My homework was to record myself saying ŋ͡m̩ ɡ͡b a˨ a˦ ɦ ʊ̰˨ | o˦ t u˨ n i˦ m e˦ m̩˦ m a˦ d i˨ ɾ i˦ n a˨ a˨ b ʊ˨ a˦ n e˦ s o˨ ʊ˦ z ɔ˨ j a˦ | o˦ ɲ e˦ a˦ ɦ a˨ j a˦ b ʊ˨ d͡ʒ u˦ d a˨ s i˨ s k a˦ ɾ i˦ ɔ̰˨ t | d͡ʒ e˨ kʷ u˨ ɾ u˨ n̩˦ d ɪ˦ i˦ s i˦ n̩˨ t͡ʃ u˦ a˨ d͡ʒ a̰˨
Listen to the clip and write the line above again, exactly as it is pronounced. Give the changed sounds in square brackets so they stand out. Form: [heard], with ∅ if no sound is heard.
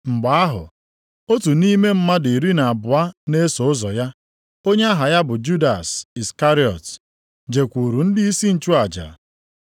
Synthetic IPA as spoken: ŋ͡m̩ ɡ͡b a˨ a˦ ɦ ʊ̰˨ | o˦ t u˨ n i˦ m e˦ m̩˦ m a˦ d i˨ ɾ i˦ n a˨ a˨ b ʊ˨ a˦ n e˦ s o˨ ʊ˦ z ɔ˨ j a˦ | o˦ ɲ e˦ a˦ ɦ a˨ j a˦ b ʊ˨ d͡ʒ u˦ d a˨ s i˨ s k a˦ ɾ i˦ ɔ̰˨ t | d͡ʒ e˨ kʷ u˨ ɾ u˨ n̩˦ d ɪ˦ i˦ s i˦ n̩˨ t͡ʃ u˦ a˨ d͡ʒ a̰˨